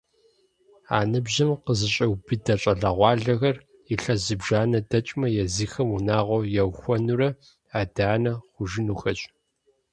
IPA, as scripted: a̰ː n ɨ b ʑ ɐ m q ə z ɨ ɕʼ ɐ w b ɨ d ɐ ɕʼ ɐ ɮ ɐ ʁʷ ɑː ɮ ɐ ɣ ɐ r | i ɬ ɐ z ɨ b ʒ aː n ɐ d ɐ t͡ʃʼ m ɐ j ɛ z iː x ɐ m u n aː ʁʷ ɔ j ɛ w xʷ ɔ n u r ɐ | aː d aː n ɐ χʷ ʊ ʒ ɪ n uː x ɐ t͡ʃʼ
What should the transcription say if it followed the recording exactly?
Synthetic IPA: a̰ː n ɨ b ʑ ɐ m q ə z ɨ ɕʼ ɐ w b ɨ d ɐ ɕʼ ɐ ɮ ɐ ʁʷ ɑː ɮ ɐ ɣ ɐ r | i ɬ ɐ z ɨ b ʒ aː n ɐ d ɐ t͡ʃʼ m ɐ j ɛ z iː x ɐ m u n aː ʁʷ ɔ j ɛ w xʷ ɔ n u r ɐ | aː d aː n ɐ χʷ ʊ ʒ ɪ n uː x ɐ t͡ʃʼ

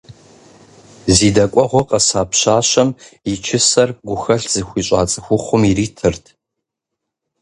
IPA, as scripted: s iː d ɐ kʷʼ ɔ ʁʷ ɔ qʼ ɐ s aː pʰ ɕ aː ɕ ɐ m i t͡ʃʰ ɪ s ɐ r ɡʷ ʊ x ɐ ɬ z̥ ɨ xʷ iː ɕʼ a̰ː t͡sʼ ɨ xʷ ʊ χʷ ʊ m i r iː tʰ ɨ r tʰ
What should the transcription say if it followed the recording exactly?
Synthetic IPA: z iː d ɐ kʷʼ ɔ ʁʷ ɔ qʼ ɐ s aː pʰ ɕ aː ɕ ɐ m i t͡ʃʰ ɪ s ɐ r ɡʷ ʊ x ɐ ɬ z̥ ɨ xʷ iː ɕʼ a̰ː t͡sʼ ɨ xʷ ʊ χʷ ʊ m i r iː tʰ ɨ r tʰ

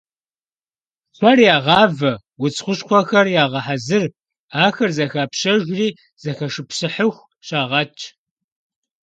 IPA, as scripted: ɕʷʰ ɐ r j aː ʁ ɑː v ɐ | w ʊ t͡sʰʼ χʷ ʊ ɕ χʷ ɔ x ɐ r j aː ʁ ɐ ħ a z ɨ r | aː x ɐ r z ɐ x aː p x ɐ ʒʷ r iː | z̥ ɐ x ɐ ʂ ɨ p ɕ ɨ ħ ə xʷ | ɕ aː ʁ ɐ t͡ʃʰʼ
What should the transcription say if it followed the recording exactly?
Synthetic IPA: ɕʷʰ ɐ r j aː ʁ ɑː v ɐ | w ʊ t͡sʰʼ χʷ ʊ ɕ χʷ ɔ x ɐ r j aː ʁ ɐ ħ a z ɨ r | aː x ɐ r z ɐ x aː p ɕ ɐ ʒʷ r iː | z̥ ɐ x ɐ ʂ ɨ p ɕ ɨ ħ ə xʷ | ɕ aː ʁ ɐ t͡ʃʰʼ

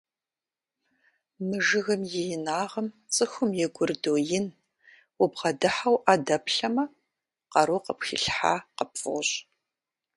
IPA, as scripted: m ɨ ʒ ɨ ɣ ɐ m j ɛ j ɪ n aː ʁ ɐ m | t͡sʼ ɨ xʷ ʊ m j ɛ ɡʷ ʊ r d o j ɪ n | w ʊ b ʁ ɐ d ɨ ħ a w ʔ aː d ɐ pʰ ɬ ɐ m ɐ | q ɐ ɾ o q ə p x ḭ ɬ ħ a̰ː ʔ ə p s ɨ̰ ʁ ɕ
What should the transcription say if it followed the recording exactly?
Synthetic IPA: m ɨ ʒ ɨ ɣ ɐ m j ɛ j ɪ n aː ʁ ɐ m | t͡sʼ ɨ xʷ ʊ m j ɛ ɡʷ ʊ r d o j ɪ n | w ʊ b ʁ ɐ d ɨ ħ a w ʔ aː d ɐ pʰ ɬ ɐ m ɐ | q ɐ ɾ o q ə p x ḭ ɬ ħ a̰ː q ə p f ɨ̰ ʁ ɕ

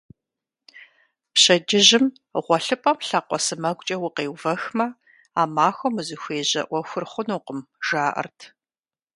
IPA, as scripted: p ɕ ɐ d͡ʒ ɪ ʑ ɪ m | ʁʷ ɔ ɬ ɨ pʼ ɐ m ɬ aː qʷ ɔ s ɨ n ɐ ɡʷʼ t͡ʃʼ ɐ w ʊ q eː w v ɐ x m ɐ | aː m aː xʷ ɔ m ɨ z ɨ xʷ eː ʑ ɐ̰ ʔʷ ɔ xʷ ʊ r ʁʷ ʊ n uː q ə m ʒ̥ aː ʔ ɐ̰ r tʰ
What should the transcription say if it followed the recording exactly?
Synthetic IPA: p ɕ ɐ d͡ʒ ɪ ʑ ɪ m | ʁʷ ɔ ɬ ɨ pʼ ɐ m ɬ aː qʷ ɔ s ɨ m ɐ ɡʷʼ t͡ʃʼ ɐ w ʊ q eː w v ɐ x m ɐ | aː m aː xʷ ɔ m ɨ z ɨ xʷ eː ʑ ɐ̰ ʔʷ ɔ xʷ ʊ r χʷ ʊ n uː q ə m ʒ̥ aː ʔ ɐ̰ r tʰ

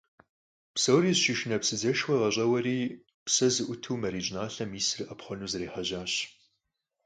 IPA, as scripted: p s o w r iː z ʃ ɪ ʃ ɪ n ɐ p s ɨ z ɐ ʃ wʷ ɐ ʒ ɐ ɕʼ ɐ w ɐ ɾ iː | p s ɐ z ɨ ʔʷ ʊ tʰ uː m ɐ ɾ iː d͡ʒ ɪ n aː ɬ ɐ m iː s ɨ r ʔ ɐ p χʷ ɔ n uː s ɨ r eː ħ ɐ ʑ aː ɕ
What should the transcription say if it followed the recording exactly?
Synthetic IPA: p s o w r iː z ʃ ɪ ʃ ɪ n ɐ p s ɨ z ɐ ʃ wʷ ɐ ʁ ɐ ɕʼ ɐ w ɐ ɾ iː | p s ɐ z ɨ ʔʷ ʊ tʰ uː m ɐ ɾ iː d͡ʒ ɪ n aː ɬ ɐ m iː s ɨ r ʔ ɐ p χʷ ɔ n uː z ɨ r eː ħ ɐ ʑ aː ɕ

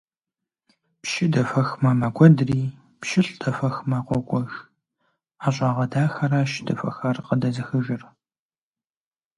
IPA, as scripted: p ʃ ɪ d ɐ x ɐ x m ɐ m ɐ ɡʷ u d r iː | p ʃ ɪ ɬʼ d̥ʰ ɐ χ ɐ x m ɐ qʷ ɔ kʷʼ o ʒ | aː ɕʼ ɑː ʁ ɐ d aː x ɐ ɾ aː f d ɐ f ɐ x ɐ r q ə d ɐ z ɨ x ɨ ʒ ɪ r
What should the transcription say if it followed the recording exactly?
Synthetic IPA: p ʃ ɪ d ɐ f ɐ x m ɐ m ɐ ɡʷ ɔ d r iː | p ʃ ɪ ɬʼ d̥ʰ ɐ f ɐ x m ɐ qʷ ɔ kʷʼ ɔ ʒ | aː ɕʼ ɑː ʁ ɐ d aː x ɐ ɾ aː ʃ d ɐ f ɐ x ɐ r q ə d ɐ z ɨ x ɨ ʒ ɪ r

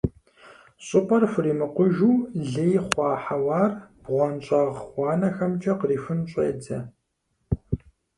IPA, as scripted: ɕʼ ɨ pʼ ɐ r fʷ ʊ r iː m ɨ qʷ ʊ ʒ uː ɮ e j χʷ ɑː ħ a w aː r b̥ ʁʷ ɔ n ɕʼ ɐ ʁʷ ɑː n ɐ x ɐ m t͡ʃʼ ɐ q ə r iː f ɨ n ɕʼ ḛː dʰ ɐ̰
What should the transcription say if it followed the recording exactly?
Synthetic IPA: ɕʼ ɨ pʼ ɐ r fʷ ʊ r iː m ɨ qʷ ʊ ʒ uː ɮ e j χʷ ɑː ħ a w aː r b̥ ʁʷ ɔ n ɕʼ ɐ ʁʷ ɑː n ɐ x ɐ m t͡ʃʼ ɐ q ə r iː f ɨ n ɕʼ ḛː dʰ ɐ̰

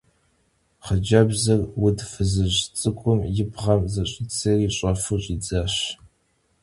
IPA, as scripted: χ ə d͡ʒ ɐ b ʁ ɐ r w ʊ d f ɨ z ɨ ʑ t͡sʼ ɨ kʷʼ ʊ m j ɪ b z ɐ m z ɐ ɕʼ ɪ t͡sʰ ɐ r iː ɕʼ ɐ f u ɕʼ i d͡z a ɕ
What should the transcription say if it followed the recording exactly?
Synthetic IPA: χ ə d͡ʒ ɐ b z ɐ r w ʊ d f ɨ z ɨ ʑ t͡sʼ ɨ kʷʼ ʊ m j ɪ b ʁ ɐ m z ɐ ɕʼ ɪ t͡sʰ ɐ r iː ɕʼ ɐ f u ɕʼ i d͡z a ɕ

